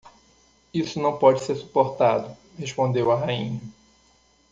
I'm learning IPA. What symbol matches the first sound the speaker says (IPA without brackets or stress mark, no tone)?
i